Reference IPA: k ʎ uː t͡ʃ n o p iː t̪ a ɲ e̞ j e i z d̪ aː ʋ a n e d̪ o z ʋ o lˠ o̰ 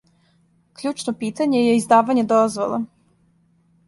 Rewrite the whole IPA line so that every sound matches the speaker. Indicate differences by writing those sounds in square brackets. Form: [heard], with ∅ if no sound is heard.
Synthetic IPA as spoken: k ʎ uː t͡ʃ n o p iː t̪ a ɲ e̞ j e i z d̪ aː ʋ a [ɲ] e d̪ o z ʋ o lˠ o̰